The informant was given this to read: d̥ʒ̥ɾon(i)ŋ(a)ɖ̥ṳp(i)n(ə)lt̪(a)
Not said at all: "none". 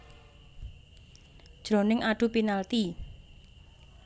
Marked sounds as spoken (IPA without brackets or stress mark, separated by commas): ɪ, a, i, a, i